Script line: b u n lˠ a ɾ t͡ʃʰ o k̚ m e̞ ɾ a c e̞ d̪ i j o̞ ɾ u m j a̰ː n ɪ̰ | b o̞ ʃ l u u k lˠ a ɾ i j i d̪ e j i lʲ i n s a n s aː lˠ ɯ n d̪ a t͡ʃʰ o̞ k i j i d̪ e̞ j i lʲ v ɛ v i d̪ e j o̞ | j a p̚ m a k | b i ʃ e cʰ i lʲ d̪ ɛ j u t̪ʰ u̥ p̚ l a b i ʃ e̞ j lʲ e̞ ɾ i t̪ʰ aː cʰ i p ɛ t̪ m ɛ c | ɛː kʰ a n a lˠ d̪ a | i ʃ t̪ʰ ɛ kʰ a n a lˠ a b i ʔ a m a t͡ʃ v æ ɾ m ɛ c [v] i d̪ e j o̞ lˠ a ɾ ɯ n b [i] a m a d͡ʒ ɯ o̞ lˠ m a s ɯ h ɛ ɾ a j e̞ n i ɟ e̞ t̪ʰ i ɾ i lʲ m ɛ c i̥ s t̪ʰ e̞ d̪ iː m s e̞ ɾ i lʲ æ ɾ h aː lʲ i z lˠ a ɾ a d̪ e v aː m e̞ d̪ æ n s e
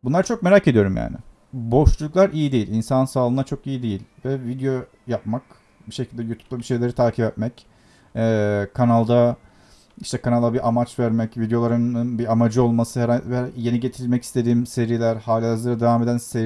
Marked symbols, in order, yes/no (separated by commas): yes, yes